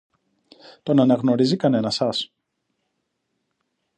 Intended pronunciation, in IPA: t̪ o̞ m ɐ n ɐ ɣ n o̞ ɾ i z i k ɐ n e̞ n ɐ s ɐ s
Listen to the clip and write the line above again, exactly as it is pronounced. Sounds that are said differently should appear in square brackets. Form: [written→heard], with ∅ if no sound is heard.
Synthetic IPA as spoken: t̪ o̞ [m→n] ɐ n ɐ ɣ n o̞ ɾ i z i k ɐ n e̞ n ɐ s ɐ s